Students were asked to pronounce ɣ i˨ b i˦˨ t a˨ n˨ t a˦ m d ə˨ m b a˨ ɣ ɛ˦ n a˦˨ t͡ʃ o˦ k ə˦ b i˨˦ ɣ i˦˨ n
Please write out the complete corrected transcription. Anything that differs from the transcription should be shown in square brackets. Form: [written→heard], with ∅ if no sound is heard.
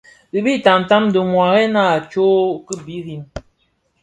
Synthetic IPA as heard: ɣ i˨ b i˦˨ t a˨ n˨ t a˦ m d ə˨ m [b→w] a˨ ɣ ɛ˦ n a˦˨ t͡ʃ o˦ k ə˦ b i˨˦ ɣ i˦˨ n